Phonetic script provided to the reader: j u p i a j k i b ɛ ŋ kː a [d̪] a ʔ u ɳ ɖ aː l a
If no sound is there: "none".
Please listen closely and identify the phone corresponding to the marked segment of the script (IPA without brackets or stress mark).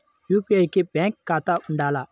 t̪